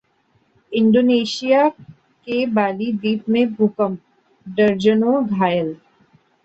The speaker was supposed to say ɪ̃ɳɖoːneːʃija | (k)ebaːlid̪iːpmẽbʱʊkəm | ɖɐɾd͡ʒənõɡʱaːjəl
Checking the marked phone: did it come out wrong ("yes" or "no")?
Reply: no